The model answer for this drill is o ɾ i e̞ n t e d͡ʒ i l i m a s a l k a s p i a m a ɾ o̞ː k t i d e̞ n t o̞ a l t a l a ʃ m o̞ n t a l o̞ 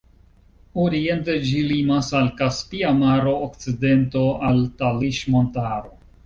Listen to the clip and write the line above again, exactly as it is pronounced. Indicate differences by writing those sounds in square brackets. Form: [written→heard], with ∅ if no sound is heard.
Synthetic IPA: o ɾ i e̞ n t e d͡ʒ i l i m a s a l k a s p i a m a ɾ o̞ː k [t→t͡s] i d e̞ n t o̞ a l t a l [a→i] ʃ m o̞ n t a [l→ɾ] o̞

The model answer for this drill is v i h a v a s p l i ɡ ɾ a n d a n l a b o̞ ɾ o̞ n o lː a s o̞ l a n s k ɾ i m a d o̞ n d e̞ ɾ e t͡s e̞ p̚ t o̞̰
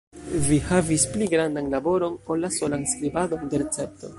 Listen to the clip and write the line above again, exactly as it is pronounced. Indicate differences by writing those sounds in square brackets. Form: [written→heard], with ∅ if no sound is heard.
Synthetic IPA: v i h a v [a→i] s p l i ɡ ɾ a n d a n l a b o̞ ɾ o̞ n o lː a s o̞ l a n s k ɾ i [m→b] a d o̞ n d e̞ ɾ e t͡s e̞ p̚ t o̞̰

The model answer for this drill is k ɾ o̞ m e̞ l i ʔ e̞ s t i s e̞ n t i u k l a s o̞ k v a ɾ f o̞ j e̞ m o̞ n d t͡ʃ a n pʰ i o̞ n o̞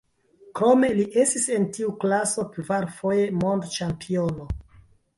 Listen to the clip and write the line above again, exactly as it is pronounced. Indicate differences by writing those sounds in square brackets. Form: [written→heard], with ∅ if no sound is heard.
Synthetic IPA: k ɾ o̞ m e̞ l i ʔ e̞ s t i s e̞ n t i u k l a s o̞ k v a ɾ f o̞ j e̞ m o̞ n d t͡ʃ a [n→m] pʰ i o̞ n o̞

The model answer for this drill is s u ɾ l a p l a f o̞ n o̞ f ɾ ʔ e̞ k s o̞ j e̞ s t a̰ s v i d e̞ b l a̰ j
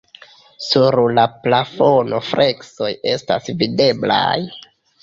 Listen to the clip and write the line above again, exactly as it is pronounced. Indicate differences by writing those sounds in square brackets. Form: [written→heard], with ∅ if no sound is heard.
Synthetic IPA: s u ɾ l a p l a f o̞ n o̞ f ɾ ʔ e̞ k s o̞ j e̞ s t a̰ s v i d e̞ b l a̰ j

